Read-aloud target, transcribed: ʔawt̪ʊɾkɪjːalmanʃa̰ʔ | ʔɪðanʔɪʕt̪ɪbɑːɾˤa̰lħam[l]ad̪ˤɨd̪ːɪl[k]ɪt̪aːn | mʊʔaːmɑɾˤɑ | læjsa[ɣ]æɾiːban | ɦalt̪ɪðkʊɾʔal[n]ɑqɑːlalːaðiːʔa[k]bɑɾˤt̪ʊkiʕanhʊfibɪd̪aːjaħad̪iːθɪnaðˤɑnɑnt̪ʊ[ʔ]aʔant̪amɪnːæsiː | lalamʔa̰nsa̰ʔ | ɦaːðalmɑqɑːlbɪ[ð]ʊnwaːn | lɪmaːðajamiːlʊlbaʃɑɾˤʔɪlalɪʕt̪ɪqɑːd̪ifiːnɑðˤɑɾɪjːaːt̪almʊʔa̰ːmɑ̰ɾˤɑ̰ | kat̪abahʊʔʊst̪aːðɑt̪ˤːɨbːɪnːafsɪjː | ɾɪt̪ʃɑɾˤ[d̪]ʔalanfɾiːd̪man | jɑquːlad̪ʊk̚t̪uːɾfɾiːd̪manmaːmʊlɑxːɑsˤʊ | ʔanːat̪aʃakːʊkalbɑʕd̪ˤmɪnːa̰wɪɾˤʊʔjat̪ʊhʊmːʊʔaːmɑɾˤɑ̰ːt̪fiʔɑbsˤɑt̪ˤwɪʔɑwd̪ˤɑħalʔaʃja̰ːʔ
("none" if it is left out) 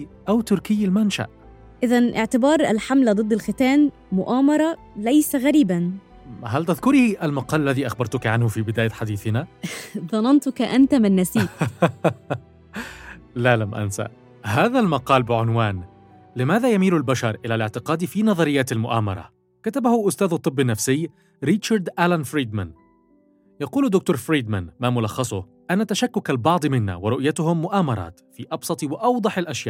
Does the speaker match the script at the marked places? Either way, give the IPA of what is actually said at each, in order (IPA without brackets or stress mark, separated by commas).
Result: l, x, ɣ, m, x, k, ʕ, d̪